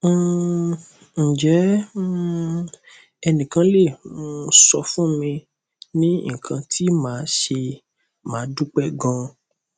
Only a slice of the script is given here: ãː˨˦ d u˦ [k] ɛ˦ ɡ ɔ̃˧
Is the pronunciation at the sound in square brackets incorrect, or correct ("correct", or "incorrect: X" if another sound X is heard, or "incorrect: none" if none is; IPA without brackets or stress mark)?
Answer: incorrect: k͡p